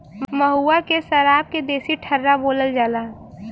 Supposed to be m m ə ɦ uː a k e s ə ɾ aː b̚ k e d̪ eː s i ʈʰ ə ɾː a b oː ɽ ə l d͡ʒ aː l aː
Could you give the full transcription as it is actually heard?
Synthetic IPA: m m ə ɦ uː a k e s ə ɾ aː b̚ k e d̪ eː s i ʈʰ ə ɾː a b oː l ə l d͡ʒ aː l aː